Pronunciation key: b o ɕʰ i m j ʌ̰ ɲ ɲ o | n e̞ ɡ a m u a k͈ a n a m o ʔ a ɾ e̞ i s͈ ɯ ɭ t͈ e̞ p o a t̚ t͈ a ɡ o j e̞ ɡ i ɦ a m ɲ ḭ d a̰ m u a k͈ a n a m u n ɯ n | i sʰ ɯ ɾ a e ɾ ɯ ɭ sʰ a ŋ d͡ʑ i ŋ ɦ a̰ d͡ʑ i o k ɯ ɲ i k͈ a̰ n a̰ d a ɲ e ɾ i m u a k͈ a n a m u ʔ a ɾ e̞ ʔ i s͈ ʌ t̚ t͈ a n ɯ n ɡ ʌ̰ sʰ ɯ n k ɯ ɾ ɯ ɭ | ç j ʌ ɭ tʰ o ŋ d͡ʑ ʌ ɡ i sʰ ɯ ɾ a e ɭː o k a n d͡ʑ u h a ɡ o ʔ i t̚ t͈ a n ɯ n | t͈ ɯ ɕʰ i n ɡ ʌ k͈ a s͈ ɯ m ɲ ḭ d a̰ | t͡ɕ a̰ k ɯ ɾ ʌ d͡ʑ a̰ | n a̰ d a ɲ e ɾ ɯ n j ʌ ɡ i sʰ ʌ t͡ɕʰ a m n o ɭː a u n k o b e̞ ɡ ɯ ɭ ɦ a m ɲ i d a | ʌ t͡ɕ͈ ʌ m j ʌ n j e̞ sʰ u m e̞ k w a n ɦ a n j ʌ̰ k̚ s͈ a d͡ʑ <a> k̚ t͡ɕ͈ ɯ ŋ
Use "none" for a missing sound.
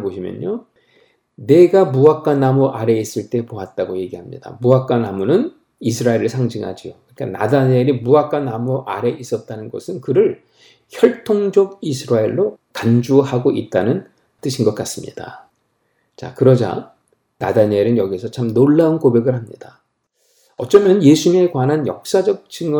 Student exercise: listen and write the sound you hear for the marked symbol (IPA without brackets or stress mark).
ʌ